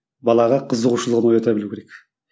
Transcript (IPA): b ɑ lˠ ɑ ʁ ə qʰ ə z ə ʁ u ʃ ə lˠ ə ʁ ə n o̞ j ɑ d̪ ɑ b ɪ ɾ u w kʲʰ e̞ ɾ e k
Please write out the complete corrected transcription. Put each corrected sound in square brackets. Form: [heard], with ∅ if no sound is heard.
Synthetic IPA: b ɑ lˠ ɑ ʁ [ɑ] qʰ ə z ə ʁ u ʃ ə lˠ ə ʁ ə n o̞ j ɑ [t̪] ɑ b ɪ [l] u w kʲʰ e̞ ɾ e k